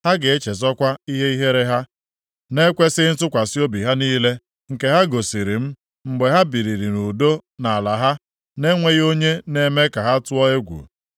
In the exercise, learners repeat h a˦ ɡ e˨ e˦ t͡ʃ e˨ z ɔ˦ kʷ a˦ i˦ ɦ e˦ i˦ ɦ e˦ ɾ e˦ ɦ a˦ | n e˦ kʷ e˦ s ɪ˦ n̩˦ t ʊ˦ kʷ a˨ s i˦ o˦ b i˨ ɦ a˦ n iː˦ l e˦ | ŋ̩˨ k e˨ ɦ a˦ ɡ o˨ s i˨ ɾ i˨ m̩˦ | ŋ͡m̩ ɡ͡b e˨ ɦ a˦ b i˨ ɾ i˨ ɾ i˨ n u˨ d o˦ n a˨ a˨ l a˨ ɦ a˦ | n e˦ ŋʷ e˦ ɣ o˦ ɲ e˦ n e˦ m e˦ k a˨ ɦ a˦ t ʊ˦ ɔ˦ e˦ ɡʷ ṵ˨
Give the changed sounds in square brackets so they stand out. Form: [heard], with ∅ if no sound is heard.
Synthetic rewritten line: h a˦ ɡ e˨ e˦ t͡ʃ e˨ z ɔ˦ kʷ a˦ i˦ ɦ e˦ i˦ ɦ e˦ ɾ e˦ ɦ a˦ | n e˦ kʷ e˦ s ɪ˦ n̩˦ t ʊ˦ kʷ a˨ s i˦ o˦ b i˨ ɦ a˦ n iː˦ l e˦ | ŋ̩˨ k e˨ ɦ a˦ ɡ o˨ s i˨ ɾ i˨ m̩˦ | ŋ͡m̩ ɡ͡b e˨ ɦ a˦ b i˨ ɾ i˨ ɾ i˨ n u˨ d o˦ n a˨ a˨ l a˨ ɦ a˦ | n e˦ ŋʷ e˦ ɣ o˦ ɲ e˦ n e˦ m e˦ k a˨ ɦ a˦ t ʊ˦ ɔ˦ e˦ ɡʷ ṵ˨

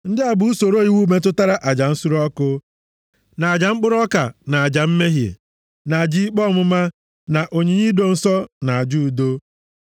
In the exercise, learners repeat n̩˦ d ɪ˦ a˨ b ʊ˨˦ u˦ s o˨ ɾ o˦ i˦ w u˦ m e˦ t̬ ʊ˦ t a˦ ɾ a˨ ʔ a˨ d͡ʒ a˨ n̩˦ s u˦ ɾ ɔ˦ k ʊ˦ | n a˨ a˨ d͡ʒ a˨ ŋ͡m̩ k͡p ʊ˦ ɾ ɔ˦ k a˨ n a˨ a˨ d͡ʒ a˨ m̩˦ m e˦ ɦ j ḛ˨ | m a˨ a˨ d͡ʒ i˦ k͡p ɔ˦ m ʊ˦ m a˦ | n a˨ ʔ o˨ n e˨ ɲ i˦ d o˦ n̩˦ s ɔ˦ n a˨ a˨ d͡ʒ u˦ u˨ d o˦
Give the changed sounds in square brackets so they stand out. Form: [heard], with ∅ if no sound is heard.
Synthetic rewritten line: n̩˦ d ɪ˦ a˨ b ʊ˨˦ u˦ s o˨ ɾ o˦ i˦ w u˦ m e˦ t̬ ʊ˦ t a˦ ɾ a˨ ʔ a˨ d͡ʒ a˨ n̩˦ s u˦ ɾ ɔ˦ k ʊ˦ | n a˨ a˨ d͡ʒ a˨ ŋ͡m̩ k͡p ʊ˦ ɾ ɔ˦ k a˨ n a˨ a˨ d͡ʒ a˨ m̩˦ m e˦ ɦ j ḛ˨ | [n] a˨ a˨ d͡ʒ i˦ k͡p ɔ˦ m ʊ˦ m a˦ | n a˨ ʔ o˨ [ɲ] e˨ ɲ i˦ d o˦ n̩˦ s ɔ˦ n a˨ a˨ d͡ʒ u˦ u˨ d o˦

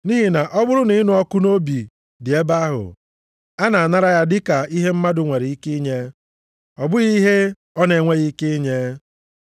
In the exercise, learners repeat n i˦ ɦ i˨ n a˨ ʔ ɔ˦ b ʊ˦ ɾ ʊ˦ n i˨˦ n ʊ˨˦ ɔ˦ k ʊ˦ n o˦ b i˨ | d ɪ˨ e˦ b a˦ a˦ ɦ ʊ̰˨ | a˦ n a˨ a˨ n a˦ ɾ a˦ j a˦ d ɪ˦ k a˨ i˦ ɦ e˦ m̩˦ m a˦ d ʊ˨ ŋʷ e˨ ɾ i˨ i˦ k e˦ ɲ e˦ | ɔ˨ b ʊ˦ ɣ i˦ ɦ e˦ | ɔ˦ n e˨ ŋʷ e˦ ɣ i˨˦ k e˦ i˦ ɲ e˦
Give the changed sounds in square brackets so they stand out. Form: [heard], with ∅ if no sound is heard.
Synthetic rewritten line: n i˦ ɦ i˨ n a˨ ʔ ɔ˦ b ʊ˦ ɾ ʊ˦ n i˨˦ n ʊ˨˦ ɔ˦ k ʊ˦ n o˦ b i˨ | d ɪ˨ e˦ b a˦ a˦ ɦ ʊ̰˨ | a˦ n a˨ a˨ n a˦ ɾ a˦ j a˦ d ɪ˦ k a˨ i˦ ɦ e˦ m̩˦ m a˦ d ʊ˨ ŋʷ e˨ ɾ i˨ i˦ k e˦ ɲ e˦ | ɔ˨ b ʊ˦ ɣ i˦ ɦ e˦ | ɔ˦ n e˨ ŋʷ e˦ ɣ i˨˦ k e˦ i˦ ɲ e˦

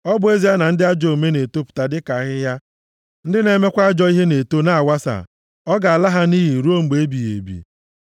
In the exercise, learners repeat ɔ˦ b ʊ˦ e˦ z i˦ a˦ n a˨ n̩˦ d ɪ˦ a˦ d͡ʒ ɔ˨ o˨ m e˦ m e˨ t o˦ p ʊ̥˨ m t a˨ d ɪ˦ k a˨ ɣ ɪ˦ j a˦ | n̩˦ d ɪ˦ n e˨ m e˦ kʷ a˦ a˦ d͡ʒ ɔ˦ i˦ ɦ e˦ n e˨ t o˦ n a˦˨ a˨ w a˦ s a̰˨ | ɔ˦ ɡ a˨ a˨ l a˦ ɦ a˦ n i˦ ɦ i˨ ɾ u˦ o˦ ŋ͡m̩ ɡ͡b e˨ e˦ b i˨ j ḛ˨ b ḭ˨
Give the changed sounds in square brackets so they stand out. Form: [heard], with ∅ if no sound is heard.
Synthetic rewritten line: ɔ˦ b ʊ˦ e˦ z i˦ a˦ n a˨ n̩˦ d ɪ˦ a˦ d͡ʒ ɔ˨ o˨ m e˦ [n] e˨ t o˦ p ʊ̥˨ [∅] t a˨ d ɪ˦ k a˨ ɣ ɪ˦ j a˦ | n̩˦ d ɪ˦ n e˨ m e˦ kʷ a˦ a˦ d͡ʒ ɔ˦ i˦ ɦ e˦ n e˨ t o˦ n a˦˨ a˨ w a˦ s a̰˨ | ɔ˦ ɡ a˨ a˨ l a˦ ɦ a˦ n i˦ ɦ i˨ ɾ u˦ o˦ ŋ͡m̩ ɡ͡b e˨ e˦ b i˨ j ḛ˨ b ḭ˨

